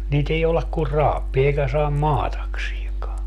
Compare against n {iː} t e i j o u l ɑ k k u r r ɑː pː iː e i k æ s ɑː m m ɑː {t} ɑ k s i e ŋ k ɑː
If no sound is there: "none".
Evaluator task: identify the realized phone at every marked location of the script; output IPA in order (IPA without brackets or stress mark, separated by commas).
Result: iː, t